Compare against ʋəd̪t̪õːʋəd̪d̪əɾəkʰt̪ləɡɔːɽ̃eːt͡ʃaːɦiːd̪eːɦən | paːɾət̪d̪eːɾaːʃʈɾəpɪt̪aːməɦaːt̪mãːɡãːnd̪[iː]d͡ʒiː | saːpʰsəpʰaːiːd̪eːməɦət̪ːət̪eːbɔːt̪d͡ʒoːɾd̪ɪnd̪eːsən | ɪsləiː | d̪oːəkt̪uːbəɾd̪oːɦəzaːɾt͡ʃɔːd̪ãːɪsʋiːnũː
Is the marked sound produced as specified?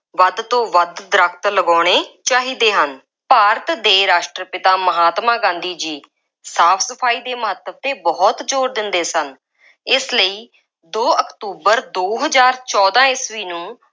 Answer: yes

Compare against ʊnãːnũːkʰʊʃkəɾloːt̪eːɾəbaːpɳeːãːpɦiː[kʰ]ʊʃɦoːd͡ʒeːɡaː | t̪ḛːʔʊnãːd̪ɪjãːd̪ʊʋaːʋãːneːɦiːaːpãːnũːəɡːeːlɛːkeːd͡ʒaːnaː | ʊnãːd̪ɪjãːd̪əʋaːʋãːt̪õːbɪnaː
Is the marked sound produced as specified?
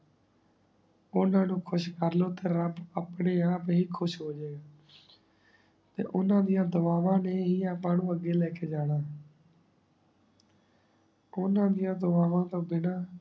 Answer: yes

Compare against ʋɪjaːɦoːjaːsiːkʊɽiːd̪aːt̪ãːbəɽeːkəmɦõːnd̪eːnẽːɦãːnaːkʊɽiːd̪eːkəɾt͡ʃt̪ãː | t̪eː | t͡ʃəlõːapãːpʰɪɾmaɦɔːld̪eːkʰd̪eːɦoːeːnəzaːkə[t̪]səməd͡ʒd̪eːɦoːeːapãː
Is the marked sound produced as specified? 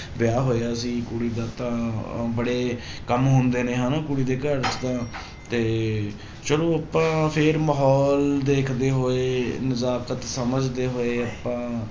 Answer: yes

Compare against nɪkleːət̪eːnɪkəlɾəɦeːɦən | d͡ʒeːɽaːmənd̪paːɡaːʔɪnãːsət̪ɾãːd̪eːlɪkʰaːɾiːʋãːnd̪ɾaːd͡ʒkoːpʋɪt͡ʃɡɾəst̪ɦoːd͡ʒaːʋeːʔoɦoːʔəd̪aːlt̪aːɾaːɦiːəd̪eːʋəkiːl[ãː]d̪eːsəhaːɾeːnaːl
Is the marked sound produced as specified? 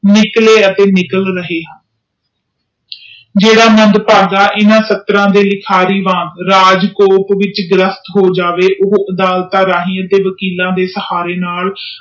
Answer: yes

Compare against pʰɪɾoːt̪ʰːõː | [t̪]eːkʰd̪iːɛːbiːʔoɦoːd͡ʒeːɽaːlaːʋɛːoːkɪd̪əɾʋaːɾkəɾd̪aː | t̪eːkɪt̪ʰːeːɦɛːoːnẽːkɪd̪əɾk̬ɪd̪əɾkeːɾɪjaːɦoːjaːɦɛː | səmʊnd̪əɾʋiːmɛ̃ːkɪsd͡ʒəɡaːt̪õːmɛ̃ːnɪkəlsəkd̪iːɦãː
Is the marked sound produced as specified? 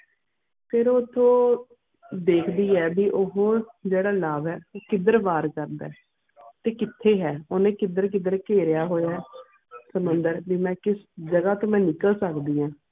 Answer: no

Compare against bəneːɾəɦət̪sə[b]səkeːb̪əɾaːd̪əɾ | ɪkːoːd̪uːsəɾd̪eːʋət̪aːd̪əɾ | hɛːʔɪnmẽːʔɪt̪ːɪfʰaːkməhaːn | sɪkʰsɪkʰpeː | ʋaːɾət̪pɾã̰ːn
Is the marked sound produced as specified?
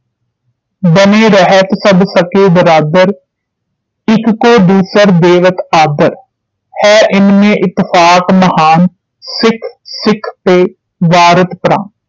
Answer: yes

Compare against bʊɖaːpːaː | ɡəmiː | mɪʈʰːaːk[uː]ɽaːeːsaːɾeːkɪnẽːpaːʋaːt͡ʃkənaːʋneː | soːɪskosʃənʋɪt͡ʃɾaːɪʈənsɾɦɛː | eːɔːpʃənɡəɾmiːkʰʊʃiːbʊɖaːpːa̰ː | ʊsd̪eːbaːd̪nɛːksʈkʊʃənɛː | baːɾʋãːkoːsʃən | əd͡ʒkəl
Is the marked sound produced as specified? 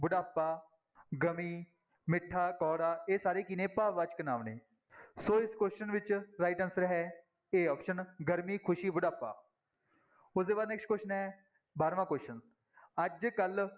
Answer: no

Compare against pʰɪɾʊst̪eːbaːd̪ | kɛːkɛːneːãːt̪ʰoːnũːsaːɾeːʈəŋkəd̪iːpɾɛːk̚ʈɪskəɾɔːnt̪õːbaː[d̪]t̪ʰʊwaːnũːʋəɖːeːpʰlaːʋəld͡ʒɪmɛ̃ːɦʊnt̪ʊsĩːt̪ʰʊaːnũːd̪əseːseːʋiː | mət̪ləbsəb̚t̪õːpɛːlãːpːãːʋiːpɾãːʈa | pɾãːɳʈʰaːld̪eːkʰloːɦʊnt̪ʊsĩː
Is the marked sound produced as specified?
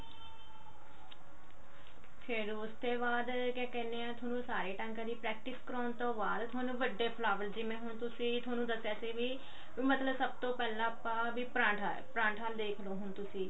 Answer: yes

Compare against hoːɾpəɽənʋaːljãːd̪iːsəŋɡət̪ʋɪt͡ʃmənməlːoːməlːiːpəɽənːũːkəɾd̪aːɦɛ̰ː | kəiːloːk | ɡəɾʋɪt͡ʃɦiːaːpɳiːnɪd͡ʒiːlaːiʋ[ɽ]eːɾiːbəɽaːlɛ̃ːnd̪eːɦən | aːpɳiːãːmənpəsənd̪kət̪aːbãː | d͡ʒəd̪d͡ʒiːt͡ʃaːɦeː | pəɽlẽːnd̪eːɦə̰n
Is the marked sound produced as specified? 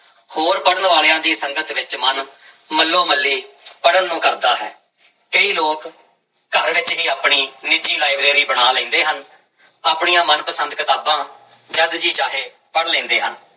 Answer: no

